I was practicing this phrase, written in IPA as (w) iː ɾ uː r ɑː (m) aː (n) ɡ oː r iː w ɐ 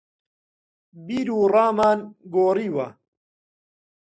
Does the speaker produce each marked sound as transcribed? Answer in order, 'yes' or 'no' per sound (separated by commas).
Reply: no, yes, yes